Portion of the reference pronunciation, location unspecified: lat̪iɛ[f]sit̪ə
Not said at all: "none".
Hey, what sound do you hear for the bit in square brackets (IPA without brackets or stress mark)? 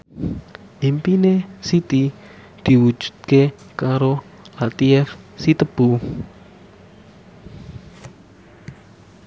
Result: f